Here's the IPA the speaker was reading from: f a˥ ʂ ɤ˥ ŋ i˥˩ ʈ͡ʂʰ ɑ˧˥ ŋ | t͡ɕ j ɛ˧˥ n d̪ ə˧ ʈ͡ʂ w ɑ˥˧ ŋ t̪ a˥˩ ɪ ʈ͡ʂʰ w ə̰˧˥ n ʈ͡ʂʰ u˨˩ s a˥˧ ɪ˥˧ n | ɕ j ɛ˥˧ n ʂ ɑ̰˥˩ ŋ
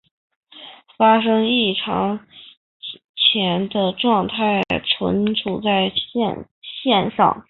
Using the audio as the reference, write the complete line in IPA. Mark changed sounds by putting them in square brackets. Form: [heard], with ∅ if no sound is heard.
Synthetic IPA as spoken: f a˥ ʂ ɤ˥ ŋ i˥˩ ʈ͡ʂʰ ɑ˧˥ ŋ | [t͡ɕʰ] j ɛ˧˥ n d̪ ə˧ ʈ͡ʂ w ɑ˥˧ ŋ [t̪ʰ] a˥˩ ɪ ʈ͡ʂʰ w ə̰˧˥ n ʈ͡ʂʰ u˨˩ [t͡s] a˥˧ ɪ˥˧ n | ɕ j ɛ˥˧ n ʂ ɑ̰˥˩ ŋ